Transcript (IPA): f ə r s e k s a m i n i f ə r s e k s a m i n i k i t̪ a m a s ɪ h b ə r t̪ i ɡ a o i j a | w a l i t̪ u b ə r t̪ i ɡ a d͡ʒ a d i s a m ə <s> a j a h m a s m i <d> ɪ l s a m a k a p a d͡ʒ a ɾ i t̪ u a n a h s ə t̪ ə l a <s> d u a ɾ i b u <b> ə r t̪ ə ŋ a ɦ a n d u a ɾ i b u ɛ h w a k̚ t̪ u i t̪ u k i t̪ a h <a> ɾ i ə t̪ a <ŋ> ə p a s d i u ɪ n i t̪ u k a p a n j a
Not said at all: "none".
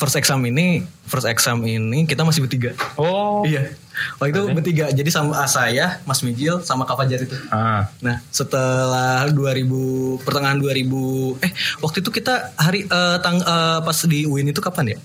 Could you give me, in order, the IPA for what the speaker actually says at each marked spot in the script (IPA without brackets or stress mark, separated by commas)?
s, d͡ʒ, h, p, a, ŋ